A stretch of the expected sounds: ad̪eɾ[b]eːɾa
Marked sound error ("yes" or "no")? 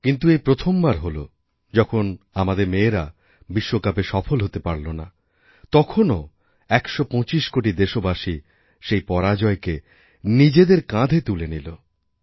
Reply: yes